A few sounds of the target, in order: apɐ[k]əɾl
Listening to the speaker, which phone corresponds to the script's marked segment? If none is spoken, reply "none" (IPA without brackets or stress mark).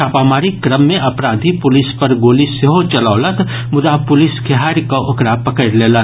k